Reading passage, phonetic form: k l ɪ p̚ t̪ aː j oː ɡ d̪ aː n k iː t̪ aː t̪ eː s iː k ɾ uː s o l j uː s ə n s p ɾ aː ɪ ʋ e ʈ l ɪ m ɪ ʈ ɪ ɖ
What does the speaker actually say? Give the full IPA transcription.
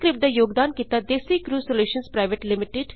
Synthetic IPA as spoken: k ɾ ɪ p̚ d̪ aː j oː ɡ d̪ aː n k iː t̪ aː d̪ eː s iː k ɾ uː s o l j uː ʃ ə n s p ɾ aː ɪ ʋ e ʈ l ɪ m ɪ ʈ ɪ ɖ